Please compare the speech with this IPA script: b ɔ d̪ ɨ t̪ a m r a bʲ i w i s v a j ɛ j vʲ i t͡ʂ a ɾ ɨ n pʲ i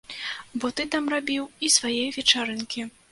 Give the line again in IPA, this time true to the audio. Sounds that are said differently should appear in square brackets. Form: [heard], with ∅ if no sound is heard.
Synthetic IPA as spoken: b ɔ [t̪] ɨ t̪ a m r a bʲ i w i s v a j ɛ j vʲ [ɛ] t͡ʂ a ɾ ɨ n [kʲ] i